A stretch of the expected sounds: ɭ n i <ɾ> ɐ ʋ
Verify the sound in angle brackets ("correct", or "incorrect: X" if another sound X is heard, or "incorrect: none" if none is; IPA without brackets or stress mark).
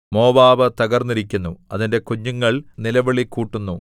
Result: incorrect: l